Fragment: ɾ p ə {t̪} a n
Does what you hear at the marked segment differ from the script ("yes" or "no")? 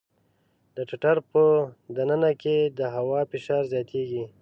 yes